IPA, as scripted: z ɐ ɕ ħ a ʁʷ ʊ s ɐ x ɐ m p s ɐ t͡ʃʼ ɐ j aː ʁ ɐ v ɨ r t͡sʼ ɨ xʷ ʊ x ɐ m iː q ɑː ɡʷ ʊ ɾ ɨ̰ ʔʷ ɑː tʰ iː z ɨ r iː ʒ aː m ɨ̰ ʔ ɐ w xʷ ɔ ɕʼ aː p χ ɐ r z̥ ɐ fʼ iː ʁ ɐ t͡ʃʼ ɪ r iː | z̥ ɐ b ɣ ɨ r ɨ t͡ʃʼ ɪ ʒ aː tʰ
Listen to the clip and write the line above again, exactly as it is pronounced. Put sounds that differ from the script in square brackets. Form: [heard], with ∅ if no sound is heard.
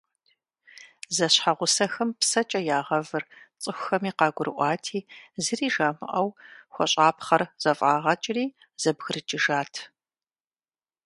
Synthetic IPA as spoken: z ɐ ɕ ħ a ʁʷ ʊ s ɐ x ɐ m p s ɐ t͡ʃʼ ɐ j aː ʁ ɐ v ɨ r t͡sʼ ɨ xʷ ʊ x ɐ m iː q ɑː ɡʷ ʊ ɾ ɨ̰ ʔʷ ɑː tʰ iː z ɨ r iː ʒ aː m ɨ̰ ʔ ɐ w xʷ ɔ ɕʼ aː p χ ɐ r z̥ ɐ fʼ [aː] ʁ ɐ t͡ʃʼ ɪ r iː | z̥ ɐ b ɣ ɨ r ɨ t͡ʃʼ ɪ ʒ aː tʰ